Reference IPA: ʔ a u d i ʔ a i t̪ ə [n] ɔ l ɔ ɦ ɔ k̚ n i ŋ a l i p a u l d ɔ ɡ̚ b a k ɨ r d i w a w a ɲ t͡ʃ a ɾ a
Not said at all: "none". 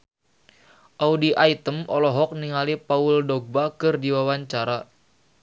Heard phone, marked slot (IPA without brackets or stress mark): m